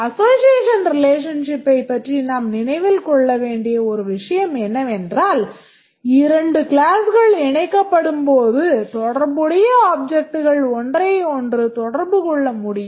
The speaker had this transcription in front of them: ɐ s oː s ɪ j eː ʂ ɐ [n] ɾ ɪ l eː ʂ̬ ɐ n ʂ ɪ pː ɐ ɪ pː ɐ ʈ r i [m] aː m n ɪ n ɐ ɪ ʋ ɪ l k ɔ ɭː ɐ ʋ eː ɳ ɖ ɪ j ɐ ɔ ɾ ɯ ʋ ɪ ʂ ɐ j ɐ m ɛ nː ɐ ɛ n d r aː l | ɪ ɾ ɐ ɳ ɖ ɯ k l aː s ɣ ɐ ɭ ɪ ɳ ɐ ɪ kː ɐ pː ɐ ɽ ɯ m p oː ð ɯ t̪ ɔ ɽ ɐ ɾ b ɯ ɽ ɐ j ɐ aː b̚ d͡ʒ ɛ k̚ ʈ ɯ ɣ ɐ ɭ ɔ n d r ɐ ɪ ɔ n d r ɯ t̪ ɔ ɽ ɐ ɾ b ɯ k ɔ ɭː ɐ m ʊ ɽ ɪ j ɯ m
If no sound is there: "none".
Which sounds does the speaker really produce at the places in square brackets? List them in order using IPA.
n, n

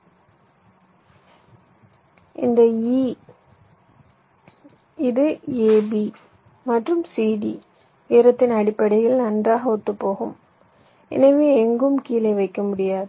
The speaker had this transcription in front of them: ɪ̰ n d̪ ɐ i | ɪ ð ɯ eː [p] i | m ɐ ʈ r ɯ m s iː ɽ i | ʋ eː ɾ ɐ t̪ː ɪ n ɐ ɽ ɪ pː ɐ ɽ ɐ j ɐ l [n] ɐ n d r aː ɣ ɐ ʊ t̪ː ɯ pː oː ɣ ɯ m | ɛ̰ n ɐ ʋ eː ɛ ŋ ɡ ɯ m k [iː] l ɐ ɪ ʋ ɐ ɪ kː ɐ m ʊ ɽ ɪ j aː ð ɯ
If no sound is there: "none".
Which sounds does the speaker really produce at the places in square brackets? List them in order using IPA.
b, n, iː

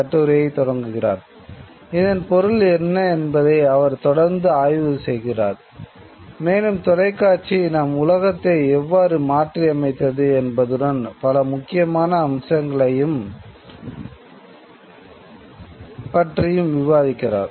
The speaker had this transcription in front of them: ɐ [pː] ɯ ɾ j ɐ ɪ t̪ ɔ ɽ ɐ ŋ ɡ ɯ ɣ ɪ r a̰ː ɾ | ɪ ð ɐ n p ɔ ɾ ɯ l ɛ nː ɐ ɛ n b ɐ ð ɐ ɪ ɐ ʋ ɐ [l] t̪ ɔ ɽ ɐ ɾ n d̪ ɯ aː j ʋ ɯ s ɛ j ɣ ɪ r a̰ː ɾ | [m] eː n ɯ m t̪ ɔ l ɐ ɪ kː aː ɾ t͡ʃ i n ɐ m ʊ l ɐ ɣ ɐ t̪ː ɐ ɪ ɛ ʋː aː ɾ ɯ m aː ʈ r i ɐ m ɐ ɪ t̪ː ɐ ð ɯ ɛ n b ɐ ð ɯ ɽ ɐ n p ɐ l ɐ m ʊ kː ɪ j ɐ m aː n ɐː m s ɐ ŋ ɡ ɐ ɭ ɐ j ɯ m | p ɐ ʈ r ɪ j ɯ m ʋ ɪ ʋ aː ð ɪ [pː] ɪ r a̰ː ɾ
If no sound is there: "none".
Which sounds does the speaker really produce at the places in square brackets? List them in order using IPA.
ʈː, ɾ, m, kː

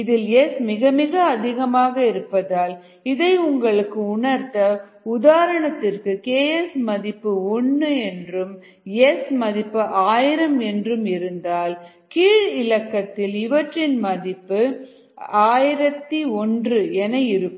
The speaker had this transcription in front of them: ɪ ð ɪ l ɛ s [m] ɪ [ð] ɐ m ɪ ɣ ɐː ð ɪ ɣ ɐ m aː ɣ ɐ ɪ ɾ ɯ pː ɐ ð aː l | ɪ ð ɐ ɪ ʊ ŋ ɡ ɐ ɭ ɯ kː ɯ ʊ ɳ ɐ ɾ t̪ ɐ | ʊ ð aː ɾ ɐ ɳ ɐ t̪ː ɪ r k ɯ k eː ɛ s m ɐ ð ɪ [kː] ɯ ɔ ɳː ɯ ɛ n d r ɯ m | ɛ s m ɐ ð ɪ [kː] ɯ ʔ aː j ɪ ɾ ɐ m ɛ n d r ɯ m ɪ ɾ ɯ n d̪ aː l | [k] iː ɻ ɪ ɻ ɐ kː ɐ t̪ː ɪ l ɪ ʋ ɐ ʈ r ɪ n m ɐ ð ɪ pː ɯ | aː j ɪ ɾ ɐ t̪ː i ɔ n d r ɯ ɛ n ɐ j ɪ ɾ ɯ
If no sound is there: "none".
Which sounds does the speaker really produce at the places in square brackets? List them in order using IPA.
m, ɣ, pː, pː, k

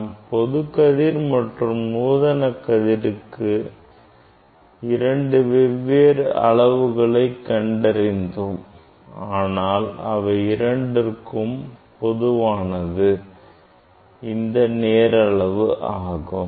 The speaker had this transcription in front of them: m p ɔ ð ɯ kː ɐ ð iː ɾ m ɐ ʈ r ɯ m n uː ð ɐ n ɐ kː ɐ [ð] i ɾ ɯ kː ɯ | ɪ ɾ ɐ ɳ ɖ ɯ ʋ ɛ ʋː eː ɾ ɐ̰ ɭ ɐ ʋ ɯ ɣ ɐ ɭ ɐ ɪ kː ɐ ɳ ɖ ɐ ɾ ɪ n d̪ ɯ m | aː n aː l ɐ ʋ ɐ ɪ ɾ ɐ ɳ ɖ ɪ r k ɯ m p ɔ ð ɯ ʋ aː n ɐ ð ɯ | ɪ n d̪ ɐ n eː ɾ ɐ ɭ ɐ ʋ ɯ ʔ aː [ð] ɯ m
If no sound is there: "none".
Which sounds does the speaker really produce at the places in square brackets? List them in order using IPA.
ð, ɣ

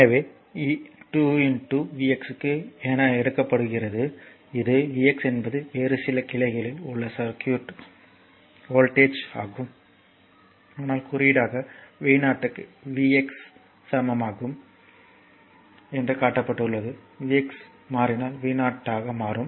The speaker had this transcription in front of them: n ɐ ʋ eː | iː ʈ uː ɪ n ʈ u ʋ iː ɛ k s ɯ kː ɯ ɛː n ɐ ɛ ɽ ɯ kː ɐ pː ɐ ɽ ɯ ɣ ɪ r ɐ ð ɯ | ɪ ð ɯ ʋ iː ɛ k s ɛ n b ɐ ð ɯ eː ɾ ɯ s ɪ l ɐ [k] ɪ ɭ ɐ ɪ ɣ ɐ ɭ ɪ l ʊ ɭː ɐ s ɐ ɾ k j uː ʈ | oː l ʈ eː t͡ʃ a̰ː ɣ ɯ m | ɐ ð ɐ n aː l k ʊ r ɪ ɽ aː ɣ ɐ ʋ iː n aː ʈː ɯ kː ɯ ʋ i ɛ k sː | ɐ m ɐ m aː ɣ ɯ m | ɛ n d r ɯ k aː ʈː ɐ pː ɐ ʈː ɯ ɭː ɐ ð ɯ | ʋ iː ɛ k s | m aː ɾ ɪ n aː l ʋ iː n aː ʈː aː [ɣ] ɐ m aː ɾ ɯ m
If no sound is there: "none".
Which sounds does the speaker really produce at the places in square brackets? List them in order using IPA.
k, ɣ

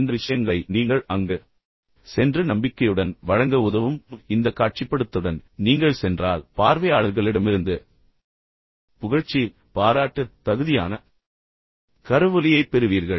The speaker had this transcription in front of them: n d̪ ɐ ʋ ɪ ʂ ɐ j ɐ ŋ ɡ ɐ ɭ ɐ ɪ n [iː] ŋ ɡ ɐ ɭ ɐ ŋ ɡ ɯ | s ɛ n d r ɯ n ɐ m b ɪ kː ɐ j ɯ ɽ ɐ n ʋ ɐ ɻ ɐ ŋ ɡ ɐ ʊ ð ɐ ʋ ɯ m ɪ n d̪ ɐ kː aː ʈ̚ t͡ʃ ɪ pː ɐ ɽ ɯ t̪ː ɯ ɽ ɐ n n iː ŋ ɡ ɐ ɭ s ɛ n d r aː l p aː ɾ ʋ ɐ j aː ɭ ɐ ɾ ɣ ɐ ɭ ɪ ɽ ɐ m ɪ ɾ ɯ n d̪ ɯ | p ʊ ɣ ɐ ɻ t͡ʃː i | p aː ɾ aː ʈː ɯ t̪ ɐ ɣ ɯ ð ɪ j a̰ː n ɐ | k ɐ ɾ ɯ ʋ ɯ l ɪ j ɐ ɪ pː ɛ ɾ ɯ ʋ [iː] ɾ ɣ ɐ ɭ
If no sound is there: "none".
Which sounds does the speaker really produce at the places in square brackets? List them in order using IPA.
iː, iː

